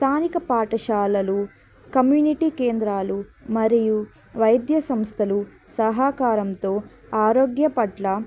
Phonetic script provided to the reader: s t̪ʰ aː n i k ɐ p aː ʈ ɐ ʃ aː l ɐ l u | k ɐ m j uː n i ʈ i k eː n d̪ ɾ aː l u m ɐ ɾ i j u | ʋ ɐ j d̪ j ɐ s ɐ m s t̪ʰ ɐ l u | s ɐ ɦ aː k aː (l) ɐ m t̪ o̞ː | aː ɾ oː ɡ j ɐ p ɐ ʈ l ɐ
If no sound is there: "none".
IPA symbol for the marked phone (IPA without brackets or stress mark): ɾ